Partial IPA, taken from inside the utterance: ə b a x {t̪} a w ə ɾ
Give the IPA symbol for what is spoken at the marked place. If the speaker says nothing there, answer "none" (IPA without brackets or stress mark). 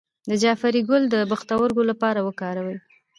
t̪